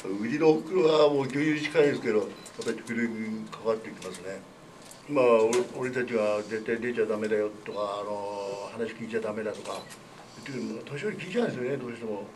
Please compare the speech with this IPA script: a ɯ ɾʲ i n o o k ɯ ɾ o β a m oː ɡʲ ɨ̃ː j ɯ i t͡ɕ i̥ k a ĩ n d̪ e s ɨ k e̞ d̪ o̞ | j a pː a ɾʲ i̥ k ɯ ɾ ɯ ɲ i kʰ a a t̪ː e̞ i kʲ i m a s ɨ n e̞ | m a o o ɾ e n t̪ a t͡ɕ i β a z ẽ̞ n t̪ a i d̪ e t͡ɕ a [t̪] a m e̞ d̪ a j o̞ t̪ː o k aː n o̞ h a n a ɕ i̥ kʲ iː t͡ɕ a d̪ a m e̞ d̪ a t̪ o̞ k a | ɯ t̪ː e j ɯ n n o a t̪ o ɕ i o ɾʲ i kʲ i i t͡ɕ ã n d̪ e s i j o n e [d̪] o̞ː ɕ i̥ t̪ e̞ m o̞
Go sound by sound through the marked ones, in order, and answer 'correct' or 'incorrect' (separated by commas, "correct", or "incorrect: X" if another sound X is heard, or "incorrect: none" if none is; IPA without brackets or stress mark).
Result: incorrect: d̪, correct